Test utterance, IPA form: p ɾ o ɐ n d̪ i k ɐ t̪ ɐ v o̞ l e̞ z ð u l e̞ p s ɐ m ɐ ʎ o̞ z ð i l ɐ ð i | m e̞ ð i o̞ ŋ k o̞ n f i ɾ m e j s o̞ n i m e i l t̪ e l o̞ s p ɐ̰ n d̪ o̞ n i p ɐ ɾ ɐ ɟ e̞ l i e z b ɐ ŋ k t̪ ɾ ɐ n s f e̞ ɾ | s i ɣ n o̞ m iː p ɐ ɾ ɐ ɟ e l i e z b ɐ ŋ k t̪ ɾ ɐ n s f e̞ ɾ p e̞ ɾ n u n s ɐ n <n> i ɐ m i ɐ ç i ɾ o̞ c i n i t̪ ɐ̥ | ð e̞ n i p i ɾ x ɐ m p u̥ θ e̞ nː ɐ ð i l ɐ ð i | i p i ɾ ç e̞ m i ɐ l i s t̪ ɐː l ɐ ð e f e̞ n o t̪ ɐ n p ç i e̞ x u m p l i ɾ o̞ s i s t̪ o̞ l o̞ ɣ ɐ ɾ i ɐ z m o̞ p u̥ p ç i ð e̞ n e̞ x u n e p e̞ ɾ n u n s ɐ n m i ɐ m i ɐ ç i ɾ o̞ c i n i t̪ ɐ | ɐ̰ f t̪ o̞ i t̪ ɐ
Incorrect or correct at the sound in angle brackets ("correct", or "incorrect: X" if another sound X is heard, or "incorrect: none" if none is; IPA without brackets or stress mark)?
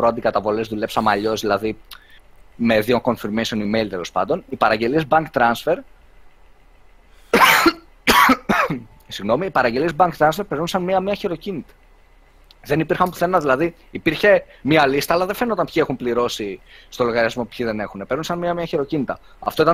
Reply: incorrect: m